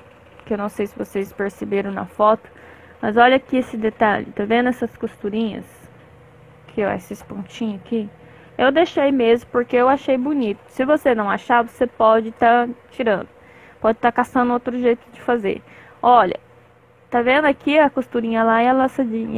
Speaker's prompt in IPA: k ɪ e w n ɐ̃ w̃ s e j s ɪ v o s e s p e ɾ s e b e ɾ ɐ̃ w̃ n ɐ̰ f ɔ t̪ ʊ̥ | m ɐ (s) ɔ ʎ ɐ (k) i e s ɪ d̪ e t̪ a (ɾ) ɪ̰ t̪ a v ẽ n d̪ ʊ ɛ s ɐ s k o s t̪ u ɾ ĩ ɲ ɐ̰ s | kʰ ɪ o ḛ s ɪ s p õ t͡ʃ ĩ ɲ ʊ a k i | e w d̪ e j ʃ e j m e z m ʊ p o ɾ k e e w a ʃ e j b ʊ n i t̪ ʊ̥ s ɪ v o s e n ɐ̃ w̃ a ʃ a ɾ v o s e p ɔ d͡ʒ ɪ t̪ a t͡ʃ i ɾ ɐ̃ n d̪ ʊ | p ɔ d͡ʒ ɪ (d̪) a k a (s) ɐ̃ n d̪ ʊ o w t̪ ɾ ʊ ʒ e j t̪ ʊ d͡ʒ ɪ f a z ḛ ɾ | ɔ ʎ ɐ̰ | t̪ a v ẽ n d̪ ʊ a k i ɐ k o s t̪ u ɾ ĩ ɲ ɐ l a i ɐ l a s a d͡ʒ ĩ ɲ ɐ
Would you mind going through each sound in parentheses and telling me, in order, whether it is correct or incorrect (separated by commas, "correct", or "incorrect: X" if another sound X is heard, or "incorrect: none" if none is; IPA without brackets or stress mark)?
incorrect: z, correct, incorrect: ʎ, incorrect: t̪, correct